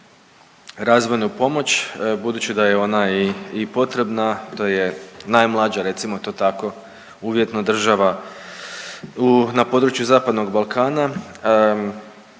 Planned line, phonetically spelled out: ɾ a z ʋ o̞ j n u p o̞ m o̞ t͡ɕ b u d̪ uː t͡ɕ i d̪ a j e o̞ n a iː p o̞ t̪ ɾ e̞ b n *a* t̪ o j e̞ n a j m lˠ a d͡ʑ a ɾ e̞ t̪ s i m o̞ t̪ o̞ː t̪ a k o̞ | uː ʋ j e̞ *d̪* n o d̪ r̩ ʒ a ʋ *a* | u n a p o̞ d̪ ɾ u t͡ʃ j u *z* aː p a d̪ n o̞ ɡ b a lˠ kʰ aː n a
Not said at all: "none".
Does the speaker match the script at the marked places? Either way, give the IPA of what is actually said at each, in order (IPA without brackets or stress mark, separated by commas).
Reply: a, t̪, a, z